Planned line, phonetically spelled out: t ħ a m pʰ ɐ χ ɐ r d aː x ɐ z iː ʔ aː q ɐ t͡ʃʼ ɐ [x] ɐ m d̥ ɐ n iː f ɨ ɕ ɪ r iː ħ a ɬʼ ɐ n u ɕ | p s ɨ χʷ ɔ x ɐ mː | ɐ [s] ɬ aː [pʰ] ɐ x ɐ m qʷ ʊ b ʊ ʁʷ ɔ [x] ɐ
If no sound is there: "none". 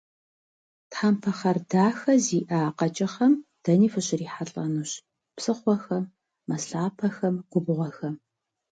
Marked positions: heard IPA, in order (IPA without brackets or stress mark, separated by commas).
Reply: χ, s, pʰ, x